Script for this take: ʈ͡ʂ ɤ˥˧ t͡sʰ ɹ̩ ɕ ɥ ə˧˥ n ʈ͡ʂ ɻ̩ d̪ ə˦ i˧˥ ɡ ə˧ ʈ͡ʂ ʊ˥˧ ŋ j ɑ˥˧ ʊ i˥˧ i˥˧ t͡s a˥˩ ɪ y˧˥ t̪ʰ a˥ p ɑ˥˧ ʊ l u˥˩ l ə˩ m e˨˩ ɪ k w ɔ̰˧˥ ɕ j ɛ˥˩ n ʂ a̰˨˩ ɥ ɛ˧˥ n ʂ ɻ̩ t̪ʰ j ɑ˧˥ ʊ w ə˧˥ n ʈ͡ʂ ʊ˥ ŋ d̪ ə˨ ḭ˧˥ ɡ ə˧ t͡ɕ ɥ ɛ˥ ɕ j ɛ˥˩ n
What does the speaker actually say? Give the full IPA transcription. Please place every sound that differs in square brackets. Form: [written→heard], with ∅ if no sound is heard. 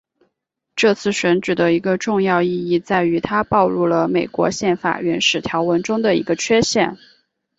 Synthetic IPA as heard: ʈ͡ʂ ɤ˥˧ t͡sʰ ɹ̩ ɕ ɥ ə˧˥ n ʈ͡ʂ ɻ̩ d̪ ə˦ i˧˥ ɡ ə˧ ʈ͡ʂ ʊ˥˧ ŋ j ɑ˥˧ ʊ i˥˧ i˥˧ t͡s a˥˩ ɪ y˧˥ t̪ʰ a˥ p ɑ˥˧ ʊ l u˥˩ l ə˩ m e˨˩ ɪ k w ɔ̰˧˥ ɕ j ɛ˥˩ n [ʂ→f] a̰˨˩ ɥ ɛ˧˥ n ʂ ɻ̩ t̪ʰ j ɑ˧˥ ʊ w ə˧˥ n ʈ͡ʂ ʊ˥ ŋ d̪ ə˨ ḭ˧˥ ɡ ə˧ [t͡ɕ→t͡ɕʰ] ɥ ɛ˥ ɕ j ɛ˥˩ n